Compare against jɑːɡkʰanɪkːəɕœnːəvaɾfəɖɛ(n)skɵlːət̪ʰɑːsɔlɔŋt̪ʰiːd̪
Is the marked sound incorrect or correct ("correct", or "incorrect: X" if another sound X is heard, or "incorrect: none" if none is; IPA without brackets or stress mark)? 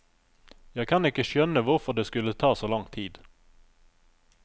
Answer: incorrect: none